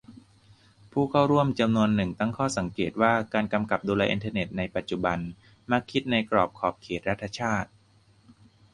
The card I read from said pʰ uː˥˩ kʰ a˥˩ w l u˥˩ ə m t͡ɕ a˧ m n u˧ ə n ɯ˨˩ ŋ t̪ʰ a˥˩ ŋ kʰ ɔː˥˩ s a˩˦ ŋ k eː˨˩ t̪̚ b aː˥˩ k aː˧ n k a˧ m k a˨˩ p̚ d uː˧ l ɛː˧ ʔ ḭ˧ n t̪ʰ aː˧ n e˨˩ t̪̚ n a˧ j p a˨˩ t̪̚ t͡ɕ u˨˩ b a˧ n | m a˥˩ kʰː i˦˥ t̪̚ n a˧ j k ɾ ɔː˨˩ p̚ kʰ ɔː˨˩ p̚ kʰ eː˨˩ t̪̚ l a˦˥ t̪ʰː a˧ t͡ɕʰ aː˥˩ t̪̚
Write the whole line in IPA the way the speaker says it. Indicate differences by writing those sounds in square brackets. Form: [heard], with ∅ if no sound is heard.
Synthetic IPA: pʰ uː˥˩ kʰ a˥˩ w [ɾ] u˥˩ ə m t͡ɕ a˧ m n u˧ ə [nː] ɯ˨˩ ŋ [t̪] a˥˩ ŋ kʰ ɔː˥˩ s a˩˦ ŋ k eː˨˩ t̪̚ [w] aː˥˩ k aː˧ n k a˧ m k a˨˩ p̚ d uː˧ l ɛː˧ ʔ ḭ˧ n t̪ʰ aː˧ n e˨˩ t̪̚ n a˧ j p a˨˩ t̪̚ t͡ɕ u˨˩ b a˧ n | m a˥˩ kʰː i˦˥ t̪̚ n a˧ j k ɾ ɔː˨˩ p̚ kʰ ɔː˨˩ p̚ kʰ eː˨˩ t̪̚ [ɾ] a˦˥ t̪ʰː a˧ t͡ɕʰ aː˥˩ t̪̚